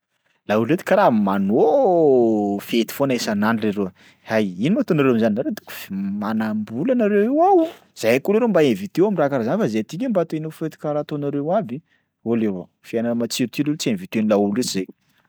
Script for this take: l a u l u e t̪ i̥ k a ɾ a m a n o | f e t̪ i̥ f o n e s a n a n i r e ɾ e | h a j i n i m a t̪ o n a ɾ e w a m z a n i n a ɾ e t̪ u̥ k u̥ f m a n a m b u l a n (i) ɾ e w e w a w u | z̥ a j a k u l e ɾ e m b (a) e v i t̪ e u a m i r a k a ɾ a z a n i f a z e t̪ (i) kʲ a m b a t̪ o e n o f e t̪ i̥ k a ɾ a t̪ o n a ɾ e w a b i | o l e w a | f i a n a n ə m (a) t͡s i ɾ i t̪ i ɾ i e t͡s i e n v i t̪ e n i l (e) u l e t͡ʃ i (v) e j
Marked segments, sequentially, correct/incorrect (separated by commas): incorrect, correct, correct, correct, incorrect, incorrect